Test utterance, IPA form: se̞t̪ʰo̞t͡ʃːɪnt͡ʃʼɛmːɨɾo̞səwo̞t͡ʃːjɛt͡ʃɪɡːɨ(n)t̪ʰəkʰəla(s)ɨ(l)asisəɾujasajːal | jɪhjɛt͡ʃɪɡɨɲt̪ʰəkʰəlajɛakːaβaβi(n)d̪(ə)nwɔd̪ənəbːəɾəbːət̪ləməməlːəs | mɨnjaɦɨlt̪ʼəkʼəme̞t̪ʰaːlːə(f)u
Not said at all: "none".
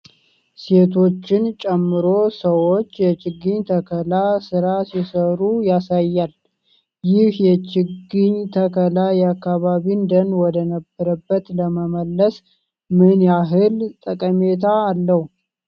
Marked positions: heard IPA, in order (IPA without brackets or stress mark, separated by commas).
ɲ, s, ɾ, n, ə, h